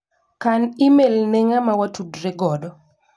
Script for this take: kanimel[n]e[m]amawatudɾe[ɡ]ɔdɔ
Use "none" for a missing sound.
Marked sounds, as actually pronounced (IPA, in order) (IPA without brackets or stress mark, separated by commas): n, ŋ, ɡ